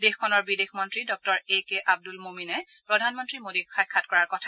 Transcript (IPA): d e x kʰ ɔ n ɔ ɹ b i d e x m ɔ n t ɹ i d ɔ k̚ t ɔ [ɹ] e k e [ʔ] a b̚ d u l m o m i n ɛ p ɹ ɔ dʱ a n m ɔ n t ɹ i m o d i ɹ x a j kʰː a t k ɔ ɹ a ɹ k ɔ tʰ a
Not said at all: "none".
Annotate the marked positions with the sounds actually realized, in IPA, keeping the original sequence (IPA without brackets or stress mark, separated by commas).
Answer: ɹ, ʔ